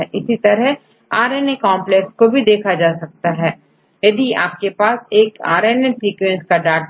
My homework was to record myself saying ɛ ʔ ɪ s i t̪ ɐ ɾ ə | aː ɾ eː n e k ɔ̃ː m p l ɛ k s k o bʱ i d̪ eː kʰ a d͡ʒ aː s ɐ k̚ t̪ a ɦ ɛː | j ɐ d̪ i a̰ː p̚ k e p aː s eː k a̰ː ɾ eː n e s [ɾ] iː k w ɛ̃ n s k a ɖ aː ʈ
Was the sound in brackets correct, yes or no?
yes